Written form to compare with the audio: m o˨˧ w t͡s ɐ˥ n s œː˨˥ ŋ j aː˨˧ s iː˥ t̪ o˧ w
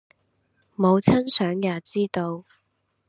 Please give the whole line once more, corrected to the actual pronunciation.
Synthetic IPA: m o˨˧ w t͡sʰ ɐ˥ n s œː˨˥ ŋ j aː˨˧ t͡s iː˥ t̪ o˧ w